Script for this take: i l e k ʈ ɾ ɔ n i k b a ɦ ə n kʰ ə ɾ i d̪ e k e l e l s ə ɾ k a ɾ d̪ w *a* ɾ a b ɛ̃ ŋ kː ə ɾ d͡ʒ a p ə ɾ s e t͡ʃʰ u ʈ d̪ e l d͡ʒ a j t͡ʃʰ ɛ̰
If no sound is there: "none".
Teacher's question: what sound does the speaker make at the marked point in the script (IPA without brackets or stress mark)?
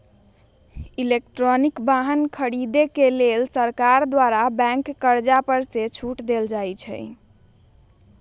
a